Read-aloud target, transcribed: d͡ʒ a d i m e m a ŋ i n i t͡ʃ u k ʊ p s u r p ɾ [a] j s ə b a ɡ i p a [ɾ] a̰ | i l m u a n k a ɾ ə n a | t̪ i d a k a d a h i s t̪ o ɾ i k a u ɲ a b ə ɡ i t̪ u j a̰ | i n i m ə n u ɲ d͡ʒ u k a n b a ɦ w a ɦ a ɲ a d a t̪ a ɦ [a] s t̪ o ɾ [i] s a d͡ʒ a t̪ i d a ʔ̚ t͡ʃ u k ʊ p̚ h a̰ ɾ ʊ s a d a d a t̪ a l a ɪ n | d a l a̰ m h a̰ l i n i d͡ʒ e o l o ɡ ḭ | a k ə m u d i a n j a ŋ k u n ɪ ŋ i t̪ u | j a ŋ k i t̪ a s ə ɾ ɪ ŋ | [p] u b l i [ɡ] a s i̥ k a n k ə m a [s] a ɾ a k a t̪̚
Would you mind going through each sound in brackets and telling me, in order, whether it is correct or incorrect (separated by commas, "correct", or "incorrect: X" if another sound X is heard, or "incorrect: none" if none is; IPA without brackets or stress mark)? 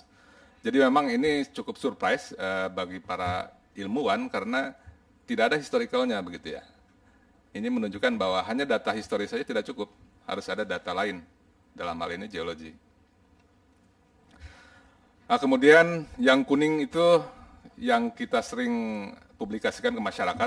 correct, correct, incorrect: i, correct, correct, incorrect: k, incorrect: ʃ